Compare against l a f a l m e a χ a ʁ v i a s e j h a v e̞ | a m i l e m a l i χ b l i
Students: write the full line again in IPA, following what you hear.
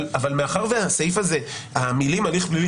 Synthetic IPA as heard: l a v a l m e a χ a ʁ v e a s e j f a z e̞ | a m i l i m a l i χ b l i